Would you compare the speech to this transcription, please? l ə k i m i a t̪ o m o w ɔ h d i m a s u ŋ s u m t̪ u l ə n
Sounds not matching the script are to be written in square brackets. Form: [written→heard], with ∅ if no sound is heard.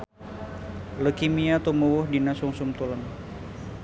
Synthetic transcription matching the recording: l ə k i m i a t̪ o m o w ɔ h d i [m→n] a s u ŋ s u m t̪ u l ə n